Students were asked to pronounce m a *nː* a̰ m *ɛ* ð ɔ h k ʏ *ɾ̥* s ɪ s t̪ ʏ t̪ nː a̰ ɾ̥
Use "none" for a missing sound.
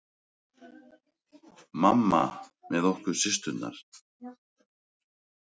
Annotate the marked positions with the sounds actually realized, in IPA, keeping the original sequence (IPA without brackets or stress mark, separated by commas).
mː, ɛ, ɾ̥